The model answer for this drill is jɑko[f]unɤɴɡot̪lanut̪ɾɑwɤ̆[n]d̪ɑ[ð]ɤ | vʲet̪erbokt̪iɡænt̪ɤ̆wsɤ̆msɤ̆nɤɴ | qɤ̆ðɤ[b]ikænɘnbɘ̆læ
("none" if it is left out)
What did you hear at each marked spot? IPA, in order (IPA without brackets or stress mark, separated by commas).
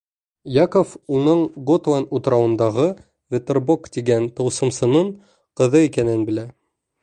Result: f, n, ʁ, none